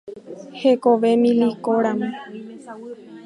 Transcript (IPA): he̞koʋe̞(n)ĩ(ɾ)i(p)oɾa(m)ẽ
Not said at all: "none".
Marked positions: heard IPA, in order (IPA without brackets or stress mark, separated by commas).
m, l, k, m